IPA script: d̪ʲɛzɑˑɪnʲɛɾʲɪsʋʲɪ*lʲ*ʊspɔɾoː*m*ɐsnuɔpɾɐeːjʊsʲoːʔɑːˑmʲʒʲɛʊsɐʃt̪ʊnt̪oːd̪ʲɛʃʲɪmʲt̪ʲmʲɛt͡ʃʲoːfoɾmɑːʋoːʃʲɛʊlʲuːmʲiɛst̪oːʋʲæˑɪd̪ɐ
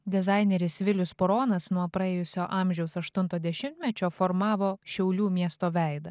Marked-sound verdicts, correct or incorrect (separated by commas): correct, incorrect